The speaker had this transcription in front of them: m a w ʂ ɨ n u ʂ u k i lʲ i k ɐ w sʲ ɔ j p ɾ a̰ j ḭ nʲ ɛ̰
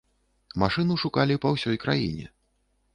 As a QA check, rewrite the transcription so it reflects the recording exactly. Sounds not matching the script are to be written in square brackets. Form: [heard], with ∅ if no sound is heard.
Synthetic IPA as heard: m a [∅] ʂ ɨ n u ʂ u k [a] lʲ i [p] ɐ w sʲ ɔ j [k] ɾ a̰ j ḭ nʲ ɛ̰